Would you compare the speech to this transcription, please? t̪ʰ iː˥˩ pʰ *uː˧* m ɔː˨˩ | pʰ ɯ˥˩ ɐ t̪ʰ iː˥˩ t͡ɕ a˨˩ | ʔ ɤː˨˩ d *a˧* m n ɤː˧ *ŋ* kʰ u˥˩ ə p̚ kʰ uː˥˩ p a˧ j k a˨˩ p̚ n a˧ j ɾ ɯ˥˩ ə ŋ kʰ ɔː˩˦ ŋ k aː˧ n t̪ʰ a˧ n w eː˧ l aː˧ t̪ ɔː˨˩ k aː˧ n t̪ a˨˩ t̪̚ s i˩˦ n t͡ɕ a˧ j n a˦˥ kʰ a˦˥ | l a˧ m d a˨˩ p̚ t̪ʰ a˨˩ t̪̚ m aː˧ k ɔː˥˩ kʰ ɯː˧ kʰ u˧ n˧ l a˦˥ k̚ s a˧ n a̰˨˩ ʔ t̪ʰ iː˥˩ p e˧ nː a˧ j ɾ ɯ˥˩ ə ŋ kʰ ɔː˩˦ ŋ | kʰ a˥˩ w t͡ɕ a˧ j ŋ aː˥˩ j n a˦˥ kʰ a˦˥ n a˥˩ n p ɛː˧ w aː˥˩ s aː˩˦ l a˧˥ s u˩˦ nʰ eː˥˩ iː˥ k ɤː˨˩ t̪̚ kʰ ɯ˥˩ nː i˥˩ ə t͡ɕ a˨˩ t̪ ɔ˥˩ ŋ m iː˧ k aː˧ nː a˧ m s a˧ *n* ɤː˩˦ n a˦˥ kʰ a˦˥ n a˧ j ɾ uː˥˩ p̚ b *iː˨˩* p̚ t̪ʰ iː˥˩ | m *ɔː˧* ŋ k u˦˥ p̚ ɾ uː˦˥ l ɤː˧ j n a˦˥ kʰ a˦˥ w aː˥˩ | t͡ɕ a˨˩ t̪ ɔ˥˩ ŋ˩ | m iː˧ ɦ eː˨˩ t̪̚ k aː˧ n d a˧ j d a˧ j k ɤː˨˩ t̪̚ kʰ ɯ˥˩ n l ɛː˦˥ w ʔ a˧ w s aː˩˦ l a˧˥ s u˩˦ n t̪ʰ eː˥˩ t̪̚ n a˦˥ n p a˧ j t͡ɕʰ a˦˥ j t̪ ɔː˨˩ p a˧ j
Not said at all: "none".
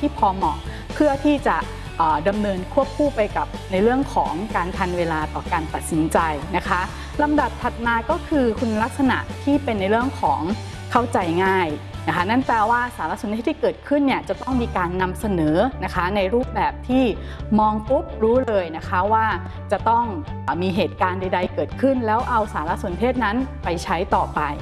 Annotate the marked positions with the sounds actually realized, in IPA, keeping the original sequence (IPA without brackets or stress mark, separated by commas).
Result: ɔː˧, a˧, n, n, ɛː˨˩, ɔː˧